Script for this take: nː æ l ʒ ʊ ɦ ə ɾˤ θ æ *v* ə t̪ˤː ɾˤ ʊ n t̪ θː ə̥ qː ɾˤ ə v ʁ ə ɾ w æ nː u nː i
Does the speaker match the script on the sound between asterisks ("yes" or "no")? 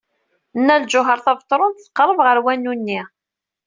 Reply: yes